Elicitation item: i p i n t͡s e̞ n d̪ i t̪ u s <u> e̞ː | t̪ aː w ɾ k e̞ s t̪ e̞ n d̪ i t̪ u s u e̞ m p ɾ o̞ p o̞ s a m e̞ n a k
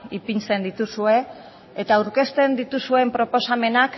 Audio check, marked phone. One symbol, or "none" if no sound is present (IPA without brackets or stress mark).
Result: u